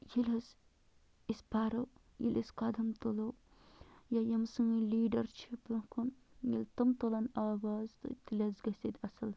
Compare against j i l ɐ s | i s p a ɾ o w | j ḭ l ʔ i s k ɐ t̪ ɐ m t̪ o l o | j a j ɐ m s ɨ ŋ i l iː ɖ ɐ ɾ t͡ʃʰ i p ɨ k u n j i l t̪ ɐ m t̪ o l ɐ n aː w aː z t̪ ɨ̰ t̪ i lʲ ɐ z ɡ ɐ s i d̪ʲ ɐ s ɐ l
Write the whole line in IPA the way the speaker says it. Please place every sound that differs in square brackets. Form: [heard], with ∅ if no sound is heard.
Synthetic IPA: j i l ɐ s | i s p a ɾ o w | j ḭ l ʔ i s k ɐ [d̪] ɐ m t̪ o l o | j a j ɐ m s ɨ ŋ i l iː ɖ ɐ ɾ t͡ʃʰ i p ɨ k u n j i l t̪ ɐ m t̪ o l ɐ n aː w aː z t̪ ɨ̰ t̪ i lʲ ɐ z ɡ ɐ s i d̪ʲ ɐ s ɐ l

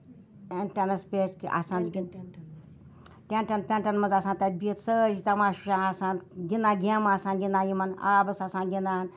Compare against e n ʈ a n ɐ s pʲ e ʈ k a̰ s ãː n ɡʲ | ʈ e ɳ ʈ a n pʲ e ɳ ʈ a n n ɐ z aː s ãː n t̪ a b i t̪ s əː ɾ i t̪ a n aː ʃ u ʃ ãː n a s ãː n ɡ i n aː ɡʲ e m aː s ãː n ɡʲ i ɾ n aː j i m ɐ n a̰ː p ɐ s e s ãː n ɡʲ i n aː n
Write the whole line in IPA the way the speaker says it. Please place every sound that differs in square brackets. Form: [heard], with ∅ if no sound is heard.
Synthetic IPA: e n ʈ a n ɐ s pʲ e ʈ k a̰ s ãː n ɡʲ | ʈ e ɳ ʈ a n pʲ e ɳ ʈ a n [m] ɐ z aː s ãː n t̪ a b i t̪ s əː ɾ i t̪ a [m] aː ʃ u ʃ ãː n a s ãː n ɡ i n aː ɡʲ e m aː s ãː n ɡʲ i [∅] n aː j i m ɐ n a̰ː [b] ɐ s [a] s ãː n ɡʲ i n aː n

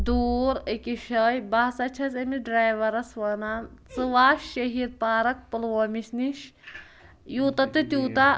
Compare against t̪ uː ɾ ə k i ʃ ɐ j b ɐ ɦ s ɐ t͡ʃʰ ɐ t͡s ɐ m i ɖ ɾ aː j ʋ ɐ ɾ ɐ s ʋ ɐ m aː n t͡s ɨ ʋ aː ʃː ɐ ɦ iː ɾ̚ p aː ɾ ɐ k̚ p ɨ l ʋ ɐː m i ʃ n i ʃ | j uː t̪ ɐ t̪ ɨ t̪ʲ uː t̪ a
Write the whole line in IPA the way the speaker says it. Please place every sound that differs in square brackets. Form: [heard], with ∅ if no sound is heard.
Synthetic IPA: [d̪] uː ɾ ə k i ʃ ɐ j b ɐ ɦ s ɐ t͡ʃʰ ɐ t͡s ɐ m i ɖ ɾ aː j ʋ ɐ ɾ ɐ s ʋ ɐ [n] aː n t͡s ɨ ʋ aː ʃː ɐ ɦ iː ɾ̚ p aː ɾ ɐ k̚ p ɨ l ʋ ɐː m i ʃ n i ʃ | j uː t̪ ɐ t̪ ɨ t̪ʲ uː t̪ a

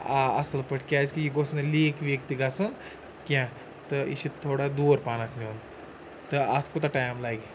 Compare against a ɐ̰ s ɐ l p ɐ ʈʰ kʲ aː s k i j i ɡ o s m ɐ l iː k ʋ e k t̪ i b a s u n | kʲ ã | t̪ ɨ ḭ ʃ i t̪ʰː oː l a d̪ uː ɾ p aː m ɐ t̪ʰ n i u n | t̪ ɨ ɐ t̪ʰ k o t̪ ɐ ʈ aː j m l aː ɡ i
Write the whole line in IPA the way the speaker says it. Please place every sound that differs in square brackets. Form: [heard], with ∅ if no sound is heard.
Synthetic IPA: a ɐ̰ s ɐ l p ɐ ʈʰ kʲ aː s k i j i ɡ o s [n] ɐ l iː k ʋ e k t̪ i [ɡ] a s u n | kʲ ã | t̪ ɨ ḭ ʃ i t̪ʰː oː [ɽ] a d̪ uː ɾ p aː [n] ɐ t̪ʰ n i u n | t̪ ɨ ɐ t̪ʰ k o t̪ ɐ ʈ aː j m l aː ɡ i

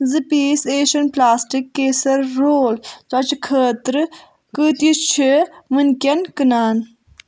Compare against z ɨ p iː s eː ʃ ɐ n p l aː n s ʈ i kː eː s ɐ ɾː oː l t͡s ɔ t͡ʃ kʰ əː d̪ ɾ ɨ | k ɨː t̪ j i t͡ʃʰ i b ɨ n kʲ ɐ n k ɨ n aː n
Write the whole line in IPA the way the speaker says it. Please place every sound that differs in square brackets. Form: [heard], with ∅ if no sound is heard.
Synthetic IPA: z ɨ p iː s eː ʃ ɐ n p l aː [∅] s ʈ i kː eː s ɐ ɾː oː l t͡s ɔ t͡ʃ kʰ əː [t̪] ɾ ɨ | k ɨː t̪ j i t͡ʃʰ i [m] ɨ n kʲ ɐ n k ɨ n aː n

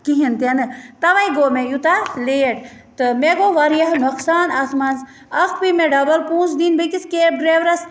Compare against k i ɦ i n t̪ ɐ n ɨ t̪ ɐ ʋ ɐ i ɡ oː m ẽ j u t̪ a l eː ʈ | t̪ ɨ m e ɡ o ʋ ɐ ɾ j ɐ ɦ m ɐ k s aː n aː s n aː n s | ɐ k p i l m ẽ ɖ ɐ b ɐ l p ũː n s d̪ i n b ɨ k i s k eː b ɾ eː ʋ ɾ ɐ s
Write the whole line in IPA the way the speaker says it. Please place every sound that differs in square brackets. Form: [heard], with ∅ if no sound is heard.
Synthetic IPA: k i ɦ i n t̪ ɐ n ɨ t̪ ɐ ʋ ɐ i ɡ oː m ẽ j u t̪ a l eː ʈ | t̪ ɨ m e ɡ o ʋ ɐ ɾ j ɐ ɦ [n] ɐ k s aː n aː s [m] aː n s | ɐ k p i [∅] m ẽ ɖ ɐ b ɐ l p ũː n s d̪ i n b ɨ k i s k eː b ɾ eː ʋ ɾ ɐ s

